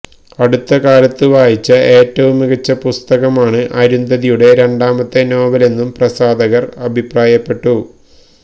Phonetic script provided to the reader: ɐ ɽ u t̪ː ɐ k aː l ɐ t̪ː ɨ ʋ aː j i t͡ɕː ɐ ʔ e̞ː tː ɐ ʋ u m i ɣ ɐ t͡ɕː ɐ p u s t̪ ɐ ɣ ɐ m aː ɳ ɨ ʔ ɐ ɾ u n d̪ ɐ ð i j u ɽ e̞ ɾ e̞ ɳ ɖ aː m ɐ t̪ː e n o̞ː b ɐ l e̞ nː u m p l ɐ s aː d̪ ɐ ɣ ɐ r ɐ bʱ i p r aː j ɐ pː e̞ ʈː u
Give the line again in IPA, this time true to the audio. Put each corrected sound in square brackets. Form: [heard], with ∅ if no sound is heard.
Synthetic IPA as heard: ɐ ɽ u t̪ː ɐ k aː l ɐ t̪ː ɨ ʋ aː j i t͡ɕː ɐ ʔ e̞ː tː ɐ ʋ u m i ɣ ɐ t͡ɕː ɐ p u s t̪ ɐ ɣ ɐ m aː ɳ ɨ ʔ ɐ ɾ u n d̪ ɐ ð i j u ɽ e̞ ɾ e̞ ɳ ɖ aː m ɐ t̪ː e n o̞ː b ɐ l e̞ nː u m p [r] ɐ s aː d̪ ɐ ɣ ɐ r ɐ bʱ i p r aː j ɐ pː e̞ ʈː u

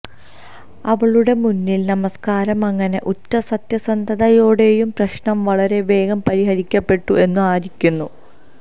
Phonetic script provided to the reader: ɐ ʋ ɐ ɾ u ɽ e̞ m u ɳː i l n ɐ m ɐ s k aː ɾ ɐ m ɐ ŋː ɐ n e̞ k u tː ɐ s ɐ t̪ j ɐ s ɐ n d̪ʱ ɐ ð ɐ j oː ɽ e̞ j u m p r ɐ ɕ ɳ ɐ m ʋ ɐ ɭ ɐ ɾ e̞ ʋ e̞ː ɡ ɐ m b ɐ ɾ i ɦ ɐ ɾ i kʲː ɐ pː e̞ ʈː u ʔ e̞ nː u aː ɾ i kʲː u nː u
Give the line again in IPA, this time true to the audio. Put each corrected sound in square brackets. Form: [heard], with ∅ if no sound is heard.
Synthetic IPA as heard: ɐ ʋ ɐ [ɭ] u ɽ e̞ m u [nː] i l n ɐ m ɐ s k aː ɾ ɐ m ɐ ŋː ɐ n e̞ [ʔ] u tː ɐ s ɐ t̪ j ɐ s ɐ n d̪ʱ ɐ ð ɐ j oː ɽ e̞ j u m p r ɐ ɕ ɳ ɐ m ʋ ɐ ɭ ɐ ɾ e̞ ʋ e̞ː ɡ ɐ m [p] ɐ ɾ i ɦ ɐ ɾ i kʲː ɐ pː e̞ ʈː u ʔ e̞ nː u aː ɾ i kʲː u nː u

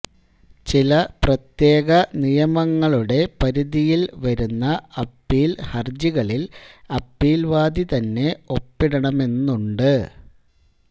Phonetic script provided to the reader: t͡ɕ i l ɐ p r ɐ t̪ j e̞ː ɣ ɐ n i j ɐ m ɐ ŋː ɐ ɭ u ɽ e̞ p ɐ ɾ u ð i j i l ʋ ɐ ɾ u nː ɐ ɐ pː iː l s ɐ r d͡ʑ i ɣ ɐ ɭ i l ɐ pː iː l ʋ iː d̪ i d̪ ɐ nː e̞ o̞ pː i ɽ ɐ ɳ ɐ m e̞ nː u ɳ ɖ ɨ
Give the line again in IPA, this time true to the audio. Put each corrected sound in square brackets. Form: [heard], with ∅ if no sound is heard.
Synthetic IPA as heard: t͡ɕ i l ɐ p r ɐ t̪ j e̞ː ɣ ɐ n i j ɐ m ɐ ŋː ɐ ɭ u ɽ e̞ p ɐ ɾ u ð i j i l ʋ ɐ ɾ u nː ɐ ɐ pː iː l [h] ɐ r d͡ʑ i ɣ ɐ ɭ i l ɐ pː iː l ʋ [aː] d̪ i [t̪] ɐ nː e̞ o̞ pː i ɽ ɐ ɳ ɐ m e̞ nː u ɳ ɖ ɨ

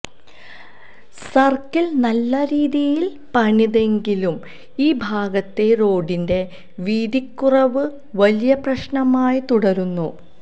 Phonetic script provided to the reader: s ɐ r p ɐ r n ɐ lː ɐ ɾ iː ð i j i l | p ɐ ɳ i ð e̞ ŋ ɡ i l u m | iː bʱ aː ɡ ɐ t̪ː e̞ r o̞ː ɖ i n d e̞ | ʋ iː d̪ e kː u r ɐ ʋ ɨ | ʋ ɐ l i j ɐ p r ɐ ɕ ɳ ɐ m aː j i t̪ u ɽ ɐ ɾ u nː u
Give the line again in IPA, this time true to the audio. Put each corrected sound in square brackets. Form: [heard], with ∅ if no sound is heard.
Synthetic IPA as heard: s ɐ r [k] ɐ [l] n ɐ lː ɐ ɾ iː ð i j i l | p ɐ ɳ i ð e̞ ŋ ɡ i l u m | iː bʱ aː ɡ ɐ t̪ː e̞ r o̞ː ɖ i n d e̞ | ʋ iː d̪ [i] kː u r ɐ ʋ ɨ | ʋ ɐ l i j ɐ p r ɐ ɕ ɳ ɐ m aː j i t̪ u ɽ ɐ ɾ u nː u

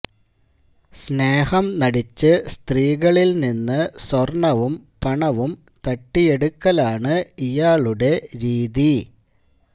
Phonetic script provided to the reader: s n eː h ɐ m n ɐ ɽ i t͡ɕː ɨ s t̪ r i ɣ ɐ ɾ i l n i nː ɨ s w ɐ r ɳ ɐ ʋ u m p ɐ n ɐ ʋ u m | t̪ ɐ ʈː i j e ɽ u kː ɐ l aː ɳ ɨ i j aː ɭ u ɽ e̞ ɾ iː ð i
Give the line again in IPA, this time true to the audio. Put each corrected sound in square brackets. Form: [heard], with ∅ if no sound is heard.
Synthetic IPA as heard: s n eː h ɐ m n ɐ ɽ i t͡ɕː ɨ s t̪ r [iː] ɣ ɐ [ɭ] i l n i nː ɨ s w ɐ r ɳ ɐ ʋ u m p ɐ [ɳ] ɐ ʋ u m | t̪ ɐ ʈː i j e ɽ u kː ɐ l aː ɳ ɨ i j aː ɭ u ɽ e̞ ɾ iː ð i

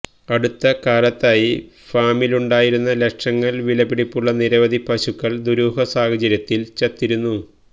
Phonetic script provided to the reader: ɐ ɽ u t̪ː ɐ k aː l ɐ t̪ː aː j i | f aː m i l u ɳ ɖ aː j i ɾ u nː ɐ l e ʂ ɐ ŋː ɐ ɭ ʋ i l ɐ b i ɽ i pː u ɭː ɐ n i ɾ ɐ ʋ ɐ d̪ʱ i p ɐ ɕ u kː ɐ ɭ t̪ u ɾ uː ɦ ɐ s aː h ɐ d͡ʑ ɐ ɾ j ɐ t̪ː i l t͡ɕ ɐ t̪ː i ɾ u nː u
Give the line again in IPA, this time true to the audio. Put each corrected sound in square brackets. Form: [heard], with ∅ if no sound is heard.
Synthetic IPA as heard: ɐ ɽ u t̪ː ɐ k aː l ɐ t̪ː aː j i | f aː m i l u ɳ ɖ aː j i ɾ u nː ɐ l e ʂ ɐ ŋː ɐ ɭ ʋ i l ɐ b i ɽ i pː u ɭː ɐ n i ɾ ɐ ʋ ɐ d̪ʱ i p ɐ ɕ u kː ɐ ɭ [d̪] u ɾ uː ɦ ɐ s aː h ɐ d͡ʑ ɐ ɾ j ɐ t̪ː i l t͡ɕ ɐ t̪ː i ɾ u nː u

